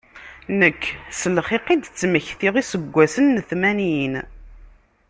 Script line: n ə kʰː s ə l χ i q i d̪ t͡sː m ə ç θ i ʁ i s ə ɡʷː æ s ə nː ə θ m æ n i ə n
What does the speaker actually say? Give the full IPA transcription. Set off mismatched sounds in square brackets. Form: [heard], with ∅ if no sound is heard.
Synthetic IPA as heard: n ə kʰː s ə l χ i q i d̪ t͡sː m ə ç θ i ʁ i s ə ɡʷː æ s ə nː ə θ m æ n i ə n

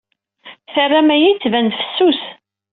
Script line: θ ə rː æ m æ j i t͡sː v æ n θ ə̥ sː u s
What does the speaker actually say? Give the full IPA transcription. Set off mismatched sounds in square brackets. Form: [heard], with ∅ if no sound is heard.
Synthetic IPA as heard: θ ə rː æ m æ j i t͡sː v æ n [f] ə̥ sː u s

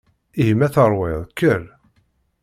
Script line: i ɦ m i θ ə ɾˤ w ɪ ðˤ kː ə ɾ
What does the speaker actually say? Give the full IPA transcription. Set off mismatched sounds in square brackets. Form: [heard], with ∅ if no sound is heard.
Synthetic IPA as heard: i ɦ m [æ] θ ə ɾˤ w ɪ ðˤ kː ə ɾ

